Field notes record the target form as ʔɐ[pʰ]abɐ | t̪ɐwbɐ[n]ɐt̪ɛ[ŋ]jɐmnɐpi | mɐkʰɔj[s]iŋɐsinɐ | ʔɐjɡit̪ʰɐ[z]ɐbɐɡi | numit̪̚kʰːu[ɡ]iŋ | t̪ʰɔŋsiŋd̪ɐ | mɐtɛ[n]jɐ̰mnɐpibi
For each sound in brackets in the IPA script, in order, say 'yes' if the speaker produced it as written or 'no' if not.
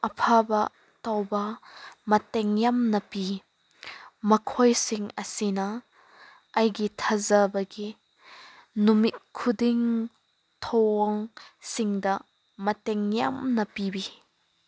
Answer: yes, no, yes, yes, yes, no, no

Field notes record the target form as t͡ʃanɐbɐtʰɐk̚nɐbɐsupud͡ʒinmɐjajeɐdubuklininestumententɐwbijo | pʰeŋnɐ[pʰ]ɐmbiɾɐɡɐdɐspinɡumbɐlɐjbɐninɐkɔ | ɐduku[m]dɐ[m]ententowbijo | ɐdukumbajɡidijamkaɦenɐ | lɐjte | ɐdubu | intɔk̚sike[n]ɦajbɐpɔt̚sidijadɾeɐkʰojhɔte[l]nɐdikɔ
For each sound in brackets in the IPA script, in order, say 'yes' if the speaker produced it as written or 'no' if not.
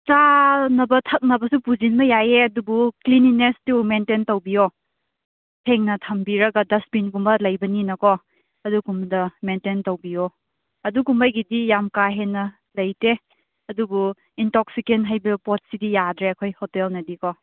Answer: no, yes, yes, yes, yes

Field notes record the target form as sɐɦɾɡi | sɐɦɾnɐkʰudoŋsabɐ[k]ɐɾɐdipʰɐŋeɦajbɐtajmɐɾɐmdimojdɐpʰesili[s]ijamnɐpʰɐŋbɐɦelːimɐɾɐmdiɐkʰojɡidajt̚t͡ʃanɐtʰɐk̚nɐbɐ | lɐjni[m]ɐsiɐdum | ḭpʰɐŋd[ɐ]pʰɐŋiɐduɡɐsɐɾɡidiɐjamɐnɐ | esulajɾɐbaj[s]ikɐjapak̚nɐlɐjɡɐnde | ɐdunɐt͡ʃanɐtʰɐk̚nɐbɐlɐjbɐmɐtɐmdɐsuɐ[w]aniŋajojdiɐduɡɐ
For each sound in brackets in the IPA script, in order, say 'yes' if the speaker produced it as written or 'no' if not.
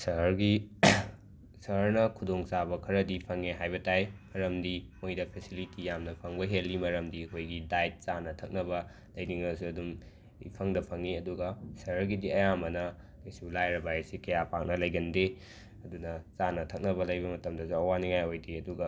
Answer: no, no, no, yes, yes, yes

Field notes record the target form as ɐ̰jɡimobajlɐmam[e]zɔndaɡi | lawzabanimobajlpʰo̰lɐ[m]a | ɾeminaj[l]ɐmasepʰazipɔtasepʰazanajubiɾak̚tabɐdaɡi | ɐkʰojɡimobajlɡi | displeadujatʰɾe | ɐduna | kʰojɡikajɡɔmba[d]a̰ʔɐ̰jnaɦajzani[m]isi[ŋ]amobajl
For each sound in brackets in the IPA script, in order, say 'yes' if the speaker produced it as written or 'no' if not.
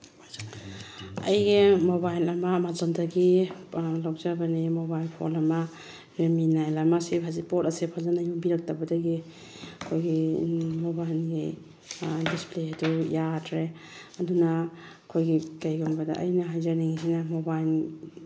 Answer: no, yes, yes, yes, no, no

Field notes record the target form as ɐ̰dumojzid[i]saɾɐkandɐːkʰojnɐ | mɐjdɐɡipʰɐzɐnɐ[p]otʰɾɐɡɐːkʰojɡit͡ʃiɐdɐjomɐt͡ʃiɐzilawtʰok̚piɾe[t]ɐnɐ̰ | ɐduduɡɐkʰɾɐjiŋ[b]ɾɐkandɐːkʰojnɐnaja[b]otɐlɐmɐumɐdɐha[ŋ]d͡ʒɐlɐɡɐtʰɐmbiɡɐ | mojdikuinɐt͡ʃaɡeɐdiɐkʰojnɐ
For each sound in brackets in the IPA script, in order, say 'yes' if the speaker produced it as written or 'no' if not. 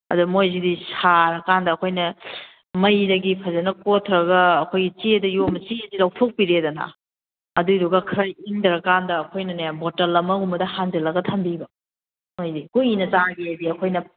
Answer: yes, no, no, no, yes, no

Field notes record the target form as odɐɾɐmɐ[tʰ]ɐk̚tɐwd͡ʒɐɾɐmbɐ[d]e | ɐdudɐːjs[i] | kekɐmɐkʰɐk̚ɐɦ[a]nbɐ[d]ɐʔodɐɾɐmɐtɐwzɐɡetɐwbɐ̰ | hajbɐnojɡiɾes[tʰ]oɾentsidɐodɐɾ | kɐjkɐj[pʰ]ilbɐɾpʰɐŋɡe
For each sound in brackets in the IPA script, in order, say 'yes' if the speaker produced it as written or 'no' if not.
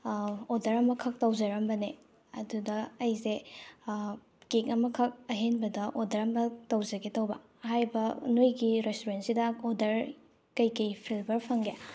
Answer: no, no, no, no, yes, no, yes

